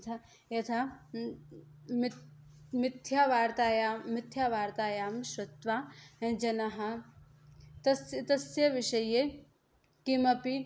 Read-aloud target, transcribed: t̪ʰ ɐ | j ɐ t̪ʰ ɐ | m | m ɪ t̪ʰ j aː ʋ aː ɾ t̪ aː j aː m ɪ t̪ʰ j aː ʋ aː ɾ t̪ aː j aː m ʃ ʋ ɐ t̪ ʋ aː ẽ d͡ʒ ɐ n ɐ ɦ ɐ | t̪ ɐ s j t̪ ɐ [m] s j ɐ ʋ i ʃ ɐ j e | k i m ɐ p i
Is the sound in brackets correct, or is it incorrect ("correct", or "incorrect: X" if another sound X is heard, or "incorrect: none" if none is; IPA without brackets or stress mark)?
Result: incorrect: none